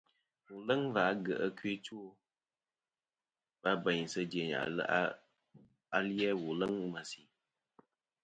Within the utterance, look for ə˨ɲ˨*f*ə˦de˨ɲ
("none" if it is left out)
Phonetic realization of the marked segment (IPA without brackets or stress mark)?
s